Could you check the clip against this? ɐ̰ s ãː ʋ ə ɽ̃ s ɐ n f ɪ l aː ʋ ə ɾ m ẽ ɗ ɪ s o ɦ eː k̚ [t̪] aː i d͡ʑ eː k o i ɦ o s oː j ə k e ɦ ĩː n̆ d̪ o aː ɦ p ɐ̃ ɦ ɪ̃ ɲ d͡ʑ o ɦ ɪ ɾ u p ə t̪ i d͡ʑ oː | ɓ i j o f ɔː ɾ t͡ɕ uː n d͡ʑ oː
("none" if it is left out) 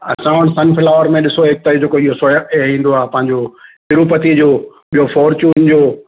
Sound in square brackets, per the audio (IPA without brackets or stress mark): t̪